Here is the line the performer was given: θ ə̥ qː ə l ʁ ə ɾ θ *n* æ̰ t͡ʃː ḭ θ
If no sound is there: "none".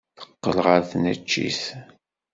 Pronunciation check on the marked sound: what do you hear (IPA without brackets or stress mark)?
n